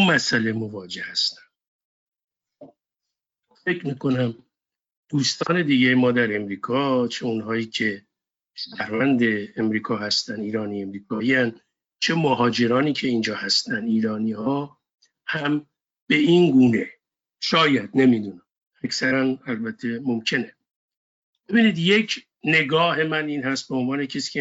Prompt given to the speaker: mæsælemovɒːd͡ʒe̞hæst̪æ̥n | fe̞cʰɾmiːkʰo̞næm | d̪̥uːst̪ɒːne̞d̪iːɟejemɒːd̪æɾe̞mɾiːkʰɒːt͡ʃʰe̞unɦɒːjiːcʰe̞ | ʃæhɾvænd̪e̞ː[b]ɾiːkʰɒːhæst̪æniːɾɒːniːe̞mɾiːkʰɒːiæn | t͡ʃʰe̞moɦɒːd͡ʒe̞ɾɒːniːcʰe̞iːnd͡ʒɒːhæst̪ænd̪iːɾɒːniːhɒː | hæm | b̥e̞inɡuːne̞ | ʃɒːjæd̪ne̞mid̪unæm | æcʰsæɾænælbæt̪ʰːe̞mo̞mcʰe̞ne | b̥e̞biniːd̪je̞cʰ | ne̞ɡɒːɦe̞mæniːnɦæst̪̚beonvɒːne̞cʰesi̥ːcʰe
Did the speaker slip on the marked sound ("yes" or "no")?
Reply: yes